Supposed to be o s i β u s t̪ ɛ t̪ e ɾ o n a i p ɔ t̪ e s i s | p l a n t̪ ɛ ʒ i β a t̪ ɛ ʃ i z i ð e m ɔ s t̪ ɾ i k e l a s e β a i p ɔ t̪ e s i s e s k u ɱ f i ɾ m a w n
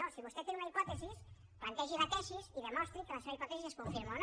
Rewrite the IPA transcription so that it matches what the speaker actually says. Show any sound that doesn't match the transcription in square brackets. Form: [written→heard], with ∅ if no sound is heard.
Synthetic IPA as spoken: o s i β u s t̪ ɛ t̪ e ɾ [o→u] n a i p ɔ t̪ e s i s | p l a n t̪ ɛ ʒ i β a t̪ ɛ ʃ i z i ð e m ɔ s t̪ ɾ i k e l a s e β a i p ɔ t̪ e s i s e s k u ɱ f i ɾ m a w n